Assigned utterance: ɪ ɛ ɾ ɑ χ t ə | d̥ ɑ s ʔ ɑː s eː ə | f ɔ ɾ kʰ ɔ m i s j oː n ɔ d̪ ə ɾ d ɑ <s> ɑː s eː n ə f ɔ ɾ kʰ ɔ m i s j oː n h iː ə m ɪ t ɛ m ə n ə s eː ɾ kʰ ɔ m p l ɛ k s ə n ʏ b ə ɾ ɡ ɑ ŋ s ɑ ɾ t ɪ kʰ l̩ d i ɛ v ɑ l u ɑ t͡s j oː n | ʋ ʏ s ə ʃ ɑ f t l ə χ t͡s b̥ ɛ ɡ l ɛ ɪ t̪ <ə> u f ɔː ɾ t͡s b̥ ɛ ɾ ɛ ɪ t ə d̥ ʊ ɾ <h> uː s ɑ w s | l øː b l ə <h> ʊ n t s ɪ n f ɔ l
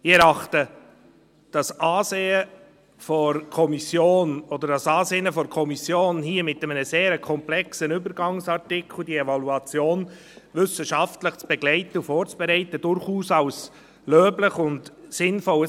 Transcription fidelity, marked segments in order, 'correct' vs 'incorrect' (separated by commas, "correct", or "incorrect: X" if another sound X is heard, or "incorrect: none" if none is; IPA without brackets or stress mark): correct, correct, incorrect: χ, incorrect: χ